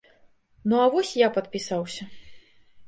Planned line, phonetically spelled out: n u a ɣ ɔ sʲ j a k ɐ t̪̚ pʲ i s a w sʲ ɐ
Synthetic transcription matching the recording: n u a v ɔ sʲ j a p ɐ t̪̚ pʲ i s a w sʲ ɐ